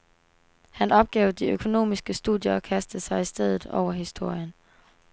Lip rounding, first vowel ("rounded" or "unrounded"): unrounded